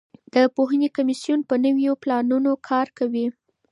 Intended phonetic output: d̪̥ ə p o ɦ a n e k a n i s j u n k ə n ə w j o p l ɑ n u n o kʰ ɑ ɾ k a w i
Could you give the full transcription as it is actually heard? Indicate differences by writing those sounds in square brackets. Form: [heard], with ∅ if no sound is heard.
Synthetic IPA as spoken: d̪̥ ə p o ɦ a n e k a [m] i s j u n [p] ə n ə w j o p l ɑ n u n o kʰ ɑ ɾ k a w i

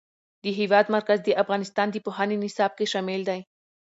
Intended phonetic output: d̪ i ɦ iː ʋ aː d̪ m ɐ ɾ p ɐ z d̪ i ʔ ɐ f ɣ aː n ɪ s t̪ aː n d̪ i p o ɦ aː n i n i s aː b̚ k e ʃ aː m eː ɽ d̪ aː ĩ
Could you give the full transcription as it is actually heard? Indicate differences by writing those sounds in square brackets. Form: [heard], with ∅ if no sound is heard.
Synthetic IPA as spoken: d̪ i ɦ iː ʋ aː d̪ m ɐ ɾ [k] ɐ z d̪ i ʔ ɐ f ɣ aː n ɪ s t̪ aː n d̪ i p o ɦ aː n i n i s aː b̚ k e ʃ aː m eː [l] d̪ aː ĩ

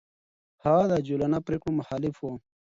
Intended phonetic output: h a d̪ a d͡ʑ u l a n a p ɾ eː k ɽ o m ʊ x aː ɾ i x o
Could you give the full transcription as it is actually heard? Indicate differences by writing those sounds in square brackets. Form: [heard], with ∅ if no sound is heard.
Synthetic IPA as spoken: h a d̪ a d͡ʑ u l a n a p ɾ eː k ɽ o m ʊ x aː [l] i [f] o

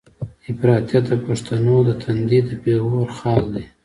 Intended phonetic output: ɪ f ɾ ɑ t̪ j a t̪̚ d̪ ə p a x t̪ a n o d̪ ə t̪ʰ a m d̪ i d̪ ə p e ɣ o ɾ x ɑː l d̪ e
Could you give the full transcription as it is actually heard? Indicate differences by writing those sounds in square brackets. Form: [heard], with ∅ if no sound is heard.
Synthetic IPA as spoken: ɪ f ɾ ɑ t̪ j a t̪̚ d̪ ə p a [ʂ] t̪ a n o d̪ ə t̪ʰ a [n] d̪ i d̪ ə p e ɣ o ɾ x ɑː l d̪ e

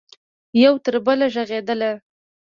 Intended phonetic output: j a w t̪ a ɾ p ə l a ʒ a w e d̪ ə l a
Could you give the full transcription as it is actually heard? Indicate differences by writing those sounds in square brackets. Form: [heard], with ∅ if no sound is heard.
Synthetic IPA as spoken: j a w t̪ [ə] ɾ [b] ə l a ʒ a [ɣ] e d̪ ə l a

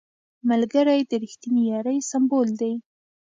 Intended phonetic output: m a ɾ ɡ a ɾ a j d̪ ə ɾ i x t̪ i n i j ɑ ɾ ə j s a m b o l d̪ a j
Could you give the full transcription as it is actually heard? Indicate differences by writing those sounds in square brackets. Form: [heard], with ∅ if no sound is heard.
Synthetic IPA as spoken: m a [l] ɡ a ɾ a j d̪ ə ɾ i x t̪ i n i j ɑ ɾ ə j s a m b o l d̪ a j

